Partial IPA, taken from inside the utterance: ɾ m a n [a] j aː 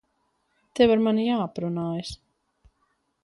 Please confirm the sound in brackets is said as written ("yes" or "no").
no